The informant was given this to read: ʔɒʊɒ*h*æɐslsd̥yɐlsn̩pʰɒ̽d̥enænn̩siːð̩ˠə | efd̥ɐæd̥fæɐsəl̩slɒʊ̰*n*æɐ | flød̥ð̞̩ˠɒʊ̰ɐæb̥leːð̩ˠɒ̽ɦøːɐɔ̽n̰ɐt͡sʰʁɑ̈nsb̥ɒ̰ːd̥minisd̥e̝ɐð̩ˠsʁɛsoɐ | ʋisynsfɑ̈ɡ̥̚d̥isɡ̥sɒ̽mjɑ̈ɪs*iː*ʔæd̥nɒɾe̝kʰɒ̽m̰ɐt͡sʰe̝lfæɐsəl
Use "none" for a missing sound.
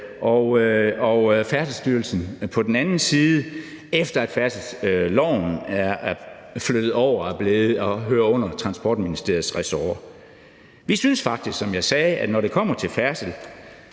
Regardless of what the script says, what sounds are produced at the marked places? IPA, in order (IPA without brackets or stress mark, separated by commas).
f, n, ɛː